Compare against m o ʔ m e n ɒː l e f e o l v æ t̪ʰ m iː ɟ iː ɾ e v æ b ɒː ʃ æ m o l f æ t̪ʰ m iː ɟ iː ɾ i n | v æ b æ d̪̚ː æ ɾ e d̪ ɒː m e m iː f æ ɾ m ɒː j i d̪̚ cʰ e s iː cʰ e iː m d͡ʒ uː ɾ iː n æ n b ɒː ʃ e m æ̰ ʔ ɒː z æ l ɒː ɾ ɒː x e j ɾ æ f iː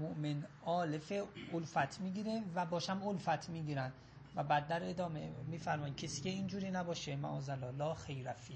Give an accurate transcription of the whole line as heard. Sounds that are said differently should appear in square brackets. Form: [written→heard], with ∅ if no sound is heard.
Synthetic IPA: m o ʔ m e n ɒː l e f e o l [v→f] æ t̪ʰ m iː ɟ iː ɾ e v æ b ɒː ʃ æ m o l f æ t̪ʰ m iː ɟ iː ɾ [i→æ] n | v æ b æ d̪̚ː æ ɾ e d̪ ɒː m e m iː f æ ɾ m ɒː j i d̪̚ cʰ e s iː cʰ e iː [m→n] d͡ʒ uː ɾ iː n æ [n→∅] b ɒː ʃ e m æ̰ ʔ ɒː z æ l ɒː [ɾ→l] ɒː x e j ɾ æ f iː